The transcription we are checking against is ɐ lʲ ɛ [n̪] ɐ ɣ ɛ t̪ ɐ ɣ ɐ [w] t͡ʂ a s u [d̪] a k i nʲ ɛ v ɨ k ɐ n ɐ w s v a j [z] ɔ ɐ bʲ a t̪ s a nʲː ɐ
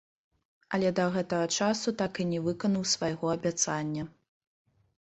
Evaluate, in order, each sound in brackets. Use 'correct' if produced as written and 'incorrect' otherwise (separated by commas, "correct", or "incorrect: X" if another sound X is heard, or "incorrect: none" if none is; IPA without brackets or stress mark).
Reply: incorrect: d̪, incorrect: none, incorrect: t̪, incorrect: ɣ